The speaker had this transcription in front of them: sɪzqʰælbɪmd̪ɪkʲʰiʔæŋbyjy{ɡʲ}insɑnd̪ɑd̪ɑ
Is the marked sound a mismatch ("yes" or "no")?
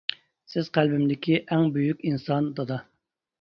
yes